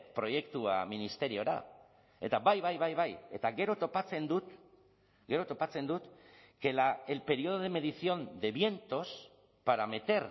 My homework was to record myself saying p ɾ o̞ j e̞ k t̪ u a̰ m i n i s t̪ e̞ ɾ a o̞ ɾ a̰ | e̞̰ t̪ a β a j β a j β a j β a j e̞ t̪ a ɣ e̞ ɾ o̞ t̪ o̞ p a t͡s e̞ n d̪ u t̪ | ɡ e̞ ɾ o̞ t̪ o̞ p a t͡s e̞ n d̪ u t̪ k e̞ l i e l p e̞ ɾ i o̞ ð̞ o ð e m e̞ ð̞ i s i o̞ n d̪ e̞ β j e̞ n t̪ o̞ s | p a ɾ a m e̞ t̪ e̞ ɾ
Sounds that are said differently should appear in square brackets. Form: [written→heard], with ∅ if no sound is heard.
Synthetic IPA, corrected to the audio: p ɾ o̞ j e̞ k t̪ u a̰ m i n i s t̪ e̞ ɾ [a→i] o̞ ɾ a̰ | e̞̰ t̪ a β a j β a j β a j β a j e̞ t̪ a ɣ e̞ ɾ o̞ t̪ o̞ p a t͡s e̞ n d̪ u t̪ | ɡ e̞ ɾ o̞ t̪ o̞ p a t͡s e̞ n d̪ u t̪ k e̞ l [i→a] e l p e̞ ɾ i o̞ ð̞ o ð e m e̞ ð̞ i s i o̞ n d̪ e̞ β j e̞ n t̪ o̞ s | p a ɾ a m e̞ t̪ e̞ ɾ

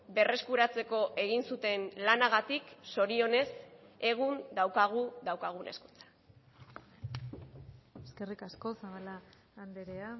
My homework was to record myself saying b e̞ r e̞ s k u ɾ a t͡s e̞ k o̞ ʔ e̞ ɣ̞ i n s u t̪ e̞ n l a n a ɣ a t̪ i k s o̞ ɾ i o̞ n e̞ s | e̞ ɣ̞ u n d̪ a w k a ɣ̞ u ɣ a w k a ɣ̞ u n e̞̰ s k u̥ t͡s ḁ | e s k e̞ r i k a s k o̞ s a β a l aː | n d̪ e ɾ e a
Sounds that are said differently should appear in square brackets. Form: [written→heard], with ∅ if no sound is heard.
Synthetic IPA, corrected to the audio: b e̞ r e̞ s k u ɾ a t͡s e̞ k o̞ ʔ e̞ ɣ̞ i n s u t̪ e̞ n l a n a ɣ a t̪ i k s o̞ ɾ i o̞ n e̞ s | e̞ ɣ̞ u n d̪ a w k a ɣ̞ u [ɣ→ð] a w k a ɣ̞ u n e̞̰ s k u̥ t͡s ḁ | e s k e̞ r i k a s k o̞ s a β a l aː | n d̪ e ɾ e a

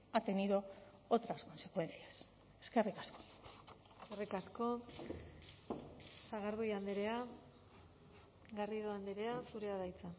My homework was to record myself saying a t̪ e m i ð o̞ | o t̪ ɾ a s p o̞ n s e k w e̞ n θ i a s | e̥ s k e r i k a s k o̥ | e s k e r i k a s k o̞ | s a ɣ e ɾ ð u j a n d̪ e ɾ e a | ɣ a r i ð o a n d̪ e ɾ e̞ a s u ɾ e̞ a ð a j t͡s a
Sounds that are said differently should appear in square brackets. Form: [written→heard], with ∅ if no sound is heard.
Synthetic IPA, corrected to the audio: a t̪ e [m→n] i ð o̞ | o t̪ ɾ a s [p→k] o̞ n s e k w e̞ n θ i a s | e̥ s k e r i k a s k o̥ | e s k e r i k a s k o̞ | s a ɣ [e→a] ɾ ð u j a n d̪ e ɾ e a | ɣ a r i ð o a n d̪ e ɾ e̞ a s u ɾ e̞ a ð a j t͡s a

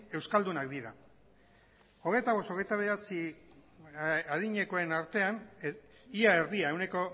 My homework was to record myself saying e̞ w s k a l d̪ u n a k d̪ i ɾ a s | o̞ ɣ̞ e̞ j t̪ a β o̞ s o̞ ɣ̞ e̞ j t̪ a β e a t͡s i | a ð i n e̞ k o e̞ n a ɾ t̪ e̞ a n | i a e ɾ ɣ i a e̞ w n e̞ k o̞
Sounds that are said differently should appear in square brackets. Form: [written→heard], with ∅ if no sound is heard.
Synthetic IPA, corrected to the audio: e̞ w s k a l d̪ u n a k d̪ i ɾ a [s→∅] | o̞ ɣ̞ e̞ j t̪ a β o̞ s o̞ ɣ̞ e̞ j t̪ a β e a t͡s i | a ð i [n→ɲ] e̞ k o e̞ n a ɾ t̪ e̞ a n | i a e ɾ [ɣ→ð] i a e̞ w n e̞ k o̞

